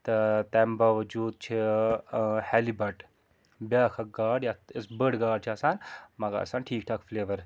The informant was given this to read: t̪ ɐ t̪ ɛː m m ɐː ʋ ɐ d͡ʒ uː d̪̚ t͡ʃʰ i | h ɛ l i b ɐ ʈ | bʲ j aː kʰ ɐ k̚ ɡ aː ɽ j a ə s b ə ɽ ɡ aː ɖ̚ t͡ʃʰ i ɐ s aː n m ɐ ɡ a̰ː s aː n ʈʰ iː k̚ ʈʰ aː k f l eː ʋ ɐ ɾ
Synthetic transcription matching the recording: t̪ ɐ t̪ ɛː m b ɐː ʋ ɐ d͡ʒ uː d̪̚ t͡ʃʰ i | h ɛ l i b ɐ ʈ | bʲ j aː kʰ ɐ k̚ ɡ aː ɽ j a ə s b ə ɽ ɡ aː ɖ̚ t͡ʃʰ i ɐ s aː n m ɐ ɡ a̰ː s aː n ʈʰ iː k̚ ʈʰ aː k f l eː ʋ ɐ ɾ